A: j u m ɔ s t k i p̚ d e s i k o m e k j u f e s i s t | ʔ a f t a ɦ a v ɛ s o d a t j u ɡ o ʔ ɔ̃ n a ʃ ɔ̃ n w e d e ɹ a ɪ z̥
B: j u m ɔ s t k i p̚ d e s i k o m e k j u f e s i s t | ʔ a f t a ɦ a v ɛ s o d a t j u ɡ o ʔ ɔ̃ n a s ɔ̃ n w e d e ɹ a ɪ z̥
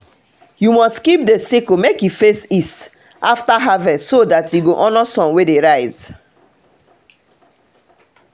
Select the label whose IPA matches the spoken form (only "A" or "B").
B